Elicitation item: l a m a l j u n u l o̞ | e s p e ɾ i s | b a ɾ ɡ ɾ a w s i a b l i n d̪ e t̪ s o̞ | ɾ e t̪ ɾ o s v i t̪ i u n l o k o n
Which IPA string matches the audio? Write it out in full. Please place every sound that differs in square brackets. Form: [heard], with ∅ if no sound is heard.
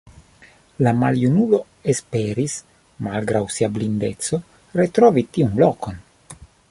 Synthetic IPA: l a m a l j u n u l o̞ | e s p e ɾ i s | [m] a [l] ɡ ɾ a w s i a b l i n d̪ e t̪ s o̞ | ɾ e t̪ ɾ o [∅] v i t̪ i u n l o k o n